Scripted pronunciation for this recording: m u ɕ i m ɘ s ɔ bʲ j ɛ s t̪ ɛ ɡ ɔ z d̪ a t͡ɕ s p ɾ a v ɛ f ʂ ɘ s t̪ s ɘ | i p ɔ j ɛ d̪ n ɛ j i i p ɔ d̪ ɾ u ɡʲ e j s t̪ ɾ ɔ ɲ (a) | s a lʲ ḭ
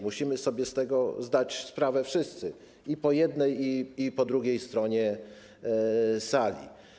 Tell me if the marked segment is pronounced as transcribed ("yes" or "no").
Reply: no